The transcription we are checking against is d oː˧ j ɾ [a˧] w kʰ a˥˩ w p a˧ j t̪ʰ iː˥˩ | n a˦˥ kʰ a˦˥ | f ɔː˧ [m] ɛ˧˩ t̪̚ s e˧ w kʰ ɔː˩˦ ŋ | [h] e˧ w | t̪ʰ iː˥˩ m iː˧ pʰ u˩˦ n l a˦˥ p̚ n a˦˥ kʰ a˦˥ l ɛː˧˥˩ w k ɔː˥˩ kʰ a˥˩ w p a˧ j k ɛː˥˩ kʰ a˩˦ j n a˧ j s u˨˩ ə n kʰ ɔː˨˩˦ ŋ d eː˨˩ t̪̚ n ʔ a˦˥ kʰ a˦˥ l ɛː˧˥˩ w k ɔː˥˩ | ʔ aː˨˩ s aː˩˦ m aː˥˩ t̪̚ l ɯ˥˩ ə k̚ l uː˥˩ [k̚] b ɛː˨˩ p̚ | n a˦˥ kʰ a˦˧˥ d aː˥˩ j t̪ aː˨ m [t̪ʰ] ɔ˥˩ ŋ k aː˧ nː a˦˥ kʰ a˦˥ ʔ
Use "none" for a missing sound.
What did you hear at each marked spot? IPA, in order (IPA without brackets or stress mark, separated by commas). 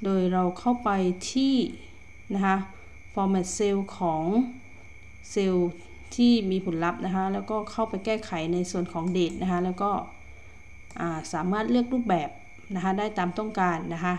a˧, m, s, p̚, t̪